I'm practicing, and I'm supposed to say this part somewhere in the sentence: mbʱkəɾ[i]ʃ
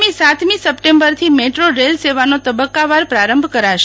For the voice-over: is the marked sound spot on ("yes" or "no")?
no